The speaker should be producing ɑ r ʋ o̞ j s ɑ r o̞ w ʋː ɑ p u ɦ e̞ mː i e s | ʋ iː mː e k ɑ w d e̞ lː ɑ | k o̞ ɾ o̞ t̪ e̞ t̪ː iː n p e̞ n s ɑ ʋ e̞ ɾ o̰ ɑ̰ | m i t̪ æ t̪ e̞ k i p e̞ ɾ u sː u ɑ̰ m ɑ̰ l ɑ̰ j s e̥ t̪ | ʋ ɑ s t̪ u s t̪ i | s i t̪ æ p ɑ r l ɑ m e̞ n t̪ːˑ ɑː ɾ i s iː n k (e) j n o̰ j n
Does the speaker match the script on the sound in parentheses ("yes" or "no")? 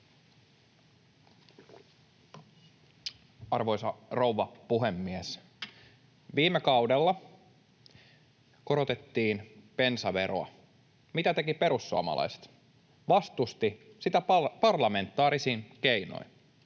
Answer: yes